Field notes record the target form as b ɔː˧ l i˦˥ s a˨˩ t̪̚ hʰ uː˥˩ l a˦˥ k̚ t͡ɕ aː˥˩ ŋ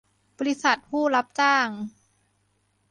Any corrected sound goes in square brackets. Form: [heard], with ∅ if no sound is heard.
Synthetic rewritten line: b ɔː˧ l i˦˥ s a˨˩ t̪̚ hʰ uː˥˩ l a˦˥ [p̚] t͡ɕ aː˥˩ ŋ

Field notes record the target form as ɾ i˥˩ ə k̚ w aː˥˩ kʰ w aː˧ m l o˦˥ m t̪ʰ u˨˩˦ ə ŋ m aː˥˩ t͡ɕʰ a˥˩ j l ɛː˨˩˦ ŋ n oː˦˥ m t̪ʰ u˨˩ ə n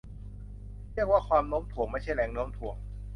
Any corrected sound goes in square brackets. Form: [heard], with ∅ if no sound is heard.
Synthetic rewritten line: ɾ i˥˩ ə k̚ w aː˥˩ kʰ w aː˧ m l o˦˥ m t̪ʰ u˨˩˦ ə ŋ m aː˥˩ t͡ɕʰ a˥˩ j l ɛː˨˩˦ ŋ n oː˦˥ m t̪ʰ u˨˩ ə [ŋ]

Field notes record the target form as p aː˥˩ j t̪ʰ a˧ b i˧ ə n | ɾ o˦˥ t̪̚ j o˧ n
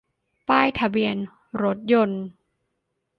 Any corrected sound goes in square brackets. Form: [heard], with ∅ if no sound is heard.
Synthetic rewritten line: p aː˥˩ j t̪ʰ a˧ b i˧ ə n | ɾ o˦˥ t̪̚ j o˧ n

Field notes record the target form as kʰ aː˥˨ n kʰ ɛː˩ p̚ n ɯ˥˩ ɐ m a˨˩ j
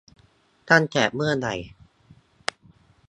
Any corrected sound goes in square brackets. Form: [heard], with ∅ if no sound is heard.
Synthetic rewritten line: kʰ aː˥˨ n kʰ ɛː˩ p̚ [m] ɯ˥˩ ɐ [n] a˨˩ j

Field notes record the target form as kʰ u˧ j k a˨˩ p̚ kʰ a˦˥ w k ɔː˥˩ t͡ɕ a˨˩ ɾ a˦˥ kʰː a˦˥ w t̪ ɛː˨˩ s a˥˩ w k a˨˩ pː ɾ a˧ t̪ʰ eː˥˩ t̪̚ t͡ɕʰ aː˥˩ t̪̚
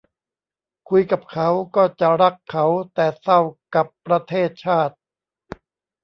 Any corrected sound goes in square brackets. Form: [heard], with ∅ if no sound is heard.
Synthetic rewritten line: kʰ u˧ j k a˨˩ p̚ kʰ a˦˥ w k ɔː˥˩ t͡ɕ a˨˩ ɾ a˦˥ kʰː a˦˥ w t̪ ɛː˨˩ s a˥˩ w k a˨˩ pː ɾ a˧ t̪ʰ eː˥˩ t̪̚ t͡ɕʰ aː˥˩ t̪̚

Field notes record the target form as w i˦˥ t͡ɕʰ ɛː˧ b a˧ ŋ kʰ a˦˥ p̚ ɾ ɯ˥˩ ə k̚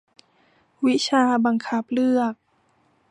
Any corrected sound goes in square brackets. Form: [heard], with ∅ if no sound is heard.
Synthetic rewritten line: w i˦˥ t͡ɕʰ [aː˧] b a˧ ŋ kʰ a˦˥ p̚ [l] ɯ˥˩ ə k̚

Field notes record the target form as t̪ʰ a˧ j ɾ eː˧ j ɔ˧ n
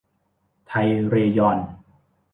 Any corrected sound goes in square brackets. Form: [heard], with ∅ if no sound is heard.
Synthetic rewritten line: t̪ʰ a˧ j ɾ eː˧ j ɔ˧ n

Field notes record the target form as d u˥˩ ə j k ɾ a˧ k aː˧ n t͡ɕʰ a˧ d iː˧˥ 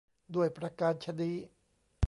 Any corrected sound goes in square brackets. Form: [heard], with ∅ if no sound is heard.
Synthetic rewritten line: d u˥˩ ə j [p] ɾ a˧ k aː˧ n t͡ɕʰ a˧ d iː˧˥

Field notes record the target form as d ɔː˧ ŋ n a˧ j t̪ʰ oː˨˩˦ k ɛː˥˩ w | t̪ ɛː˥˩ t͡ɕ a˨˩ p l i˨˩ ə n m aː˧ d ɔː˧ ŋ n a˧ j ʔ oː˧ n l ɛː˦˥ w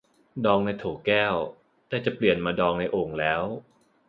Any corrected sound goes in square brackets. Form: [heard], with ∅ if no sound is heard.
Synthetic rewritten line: d ɔː˧ ŋ n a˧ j t̪ʰ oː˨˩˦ k ɛː˥˩ w | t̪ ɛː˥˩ t͡ɕ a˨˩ p l i˨˩ ə n m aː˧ d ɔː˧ ŋ n a˧ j ʔ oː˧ [ŋ] l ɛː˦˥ w

